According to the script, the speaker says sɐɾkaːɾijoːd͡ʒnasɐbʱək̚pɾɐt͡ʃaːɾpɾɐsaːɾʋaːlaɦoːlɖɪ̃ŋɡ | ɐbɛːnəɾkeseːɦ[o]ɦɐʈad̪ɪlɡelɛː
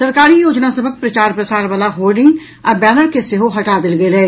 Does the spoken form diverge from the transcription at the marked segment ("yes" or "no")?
no